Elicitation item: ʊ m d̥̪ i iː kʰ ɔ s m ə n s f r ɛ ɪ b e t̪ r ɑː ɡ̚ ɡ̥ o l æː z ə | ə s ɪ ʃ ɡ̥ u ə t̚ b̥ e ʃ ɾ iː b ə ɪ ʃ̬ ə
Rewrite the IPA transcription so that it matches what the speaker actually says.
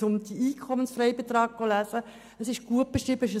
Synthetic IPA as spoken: ʊ m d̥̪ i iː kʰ ɔ m ə n s f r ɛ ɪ b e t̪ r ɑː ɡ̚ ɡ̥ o l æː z ə | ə s ɪ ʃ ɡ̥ u ə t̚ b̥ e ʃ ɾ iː b ə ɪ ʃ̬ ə